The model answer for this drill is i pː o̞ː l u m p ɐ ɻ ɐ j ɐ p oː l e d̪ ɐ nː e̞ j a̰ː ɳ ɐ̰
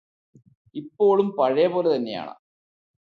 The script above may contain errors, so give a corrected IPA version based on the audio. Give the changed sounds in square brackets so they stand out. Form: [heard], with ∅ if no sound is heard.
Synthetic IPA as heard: i pː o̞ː [ɭ] u m p ɐ ɻ ɐ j ɐ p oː l e [t̪] ɐ nː e̞ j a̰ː ɳ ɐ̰